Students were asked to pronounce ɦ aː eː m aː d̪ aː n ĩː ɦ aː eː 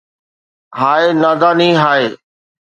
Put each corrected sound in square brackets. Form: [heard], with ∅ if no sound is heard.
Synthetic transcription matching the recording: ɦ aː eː [n] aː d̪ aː n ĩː ɦ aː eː